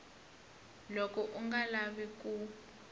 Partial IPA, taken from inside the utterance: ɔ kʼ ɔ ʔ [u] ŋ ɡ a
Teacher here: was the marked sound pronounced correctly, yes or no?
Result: yes